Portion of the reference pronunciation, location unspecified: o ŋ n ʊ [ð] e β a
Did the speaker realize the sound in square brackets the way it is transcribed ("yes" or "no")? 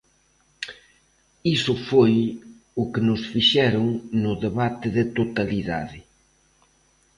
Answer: yes